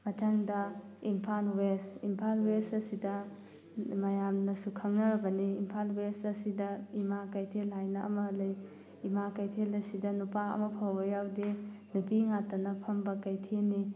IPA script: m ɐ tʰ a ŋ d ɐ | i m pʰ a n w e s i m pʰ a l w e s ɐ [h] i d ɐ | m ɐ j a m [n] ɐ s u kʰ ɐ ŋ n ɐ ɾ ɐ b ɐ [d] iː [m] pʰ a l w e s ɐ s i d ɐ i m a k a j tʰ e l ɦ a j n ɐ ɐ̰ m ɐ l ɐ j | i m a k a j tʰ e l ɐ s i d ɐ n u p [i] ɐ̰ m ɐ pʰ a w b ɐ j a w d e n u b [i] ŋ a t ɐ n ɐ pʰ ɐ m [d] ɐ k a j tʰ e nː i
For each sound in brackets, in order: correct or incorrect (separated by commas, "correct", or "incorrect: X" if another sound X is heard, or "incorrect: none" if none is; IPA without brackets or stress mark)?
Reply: incorrect: s, correct, incorrect: n, correct, incorrect: a, correct, incorrect: b